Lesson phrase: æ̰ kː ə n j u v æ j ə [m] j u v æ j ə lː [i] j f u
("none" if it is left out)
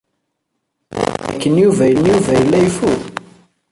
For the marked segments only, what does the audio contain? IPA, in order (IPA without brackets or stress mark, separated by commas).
n, æ